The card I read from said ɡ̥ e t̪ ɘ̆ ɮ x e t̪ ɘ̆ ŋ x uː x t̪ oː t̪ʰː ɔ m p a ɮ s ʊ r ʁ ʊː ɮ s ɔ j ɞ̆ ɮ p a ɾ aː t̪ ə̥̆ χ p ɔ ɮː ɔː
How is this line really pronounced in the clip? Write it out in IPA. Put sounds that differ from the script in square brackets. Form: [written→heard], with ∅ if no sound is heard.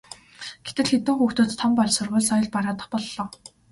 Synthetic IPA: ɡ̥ e t̪ ɘ̆ ɮ x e t̪ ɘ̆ ŋ x uː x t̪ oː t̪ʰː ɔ m p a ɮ s ʊ r ʁ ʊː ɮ s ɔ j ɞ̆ ɮ p a ɾ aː t̪ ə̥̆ χ p ɔ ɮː ɔː